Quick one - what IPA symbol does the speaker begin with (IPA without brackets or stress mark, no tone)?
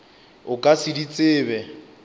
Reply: ʊ